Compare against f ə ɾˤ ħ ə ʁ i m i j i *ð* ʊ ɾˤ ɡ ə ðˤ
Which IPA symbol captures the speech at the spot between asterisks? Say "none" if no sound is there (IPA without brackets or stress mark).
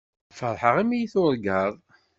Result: θ